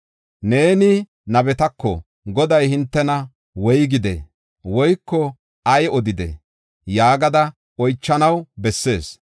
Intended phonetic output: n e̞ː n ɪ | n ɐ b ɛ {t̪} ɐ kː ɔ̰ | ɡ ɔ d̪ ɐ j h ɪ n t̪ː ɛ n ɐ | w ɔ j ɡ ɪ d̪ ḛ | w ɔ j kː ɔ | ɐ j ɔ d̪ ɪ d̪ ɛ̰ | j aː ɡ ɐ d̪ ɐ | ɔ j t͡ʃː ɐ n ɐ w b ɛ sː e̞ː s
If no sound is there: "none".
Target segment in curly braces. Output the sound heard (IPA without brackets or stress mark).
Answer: t̪